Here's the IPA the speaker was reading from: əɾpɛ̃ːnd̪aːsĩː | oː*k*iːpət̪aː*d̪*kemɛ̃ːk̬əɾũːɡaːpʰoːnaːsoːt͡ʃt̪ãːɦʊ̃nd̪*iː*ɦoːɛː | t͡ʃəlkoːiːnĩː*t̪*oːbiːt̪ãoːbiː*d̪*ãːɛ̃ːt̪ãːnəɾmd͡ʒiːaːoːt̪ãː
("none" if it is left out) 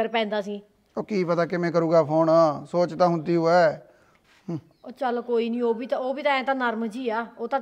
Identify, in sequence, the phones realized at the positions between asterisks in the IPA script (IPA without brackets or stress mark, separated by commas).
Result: k, none, iː, none, t̪